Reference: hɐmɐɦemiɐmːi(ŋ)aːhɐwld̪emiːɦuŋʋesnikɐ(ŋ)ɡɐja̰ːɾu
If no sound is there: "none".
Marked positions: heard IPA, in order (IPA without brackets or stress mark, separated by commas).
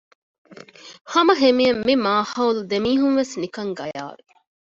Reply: m, ŋ